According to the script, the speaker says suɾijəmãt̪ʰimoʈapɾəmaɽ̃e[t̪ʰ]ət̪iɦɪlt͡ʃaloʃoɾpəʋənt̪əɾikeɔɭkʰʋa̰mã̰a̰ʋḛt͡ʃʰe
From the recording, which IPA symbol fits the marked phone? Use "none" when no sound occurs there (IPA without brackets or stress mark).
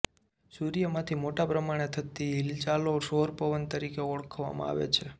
t̪ʰ